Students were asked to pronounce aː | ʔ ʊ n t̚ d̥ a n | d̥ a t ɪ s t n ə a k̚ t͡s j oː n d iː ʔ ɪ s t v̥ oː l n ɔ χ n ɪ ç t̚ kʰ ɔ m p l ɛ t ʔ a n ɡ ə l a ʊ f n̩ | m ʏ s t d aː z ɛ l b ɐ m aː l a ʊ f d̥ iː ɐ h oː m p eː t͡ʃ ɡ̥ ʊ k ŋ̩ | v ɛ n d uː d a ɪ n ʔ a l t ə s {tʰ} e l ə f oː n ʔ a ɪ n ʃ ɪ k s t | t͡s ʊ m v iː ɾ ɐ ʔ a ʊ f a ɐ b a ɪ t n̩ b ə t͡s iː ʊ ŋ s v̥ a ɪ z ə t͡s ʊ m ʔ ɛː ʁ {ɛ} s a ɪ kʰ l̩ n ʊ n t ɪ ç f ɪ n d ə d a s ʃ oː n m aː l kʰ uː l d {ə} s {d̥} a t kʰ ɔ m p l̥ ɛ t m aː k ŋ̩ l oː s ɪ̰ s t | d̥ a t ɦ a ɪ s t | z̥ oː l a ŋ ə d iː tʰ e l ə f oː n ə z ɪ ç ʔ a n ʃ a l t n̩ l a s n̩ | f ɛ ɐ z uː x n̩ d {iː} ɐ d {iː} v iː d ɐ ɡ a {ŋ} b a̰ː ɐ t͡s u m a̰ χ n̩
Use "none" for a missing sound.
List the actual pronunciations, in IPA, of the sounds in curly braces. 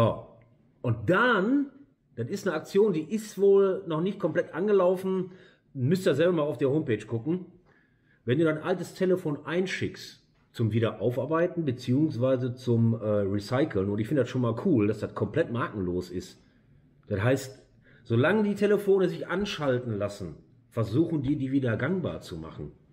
tʰ, i, a, d̥, iː, iː, ŋ

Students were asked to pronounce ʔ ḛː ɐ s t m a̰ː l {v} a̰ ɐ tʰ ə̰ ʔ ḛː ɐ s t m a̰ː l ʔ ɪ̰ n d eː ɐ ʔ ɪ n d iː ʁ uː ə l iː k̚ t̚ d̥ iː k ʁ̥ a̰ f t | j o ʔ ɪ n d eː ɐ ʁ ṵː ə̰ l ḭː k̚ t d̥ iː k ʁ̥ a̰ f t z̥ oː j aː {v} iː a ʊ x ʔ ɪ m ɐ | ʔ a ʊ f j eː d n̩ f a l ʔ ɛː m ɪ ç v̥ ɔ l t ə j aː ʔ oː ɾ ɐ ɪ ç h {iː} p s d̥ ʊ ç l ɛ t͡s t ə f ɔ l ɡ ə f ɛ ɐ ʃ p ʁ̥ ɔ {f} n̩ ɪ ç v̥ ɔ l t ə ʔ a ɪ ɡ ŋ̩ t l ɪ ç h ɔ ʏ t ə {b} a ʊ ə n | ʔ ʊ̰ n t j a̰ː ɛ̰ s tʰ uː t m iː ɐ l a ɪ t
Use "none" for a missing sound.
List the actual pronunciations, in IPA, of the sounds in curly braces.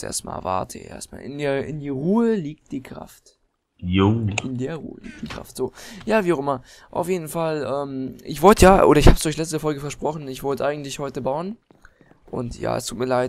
v, v, aː, χ, b

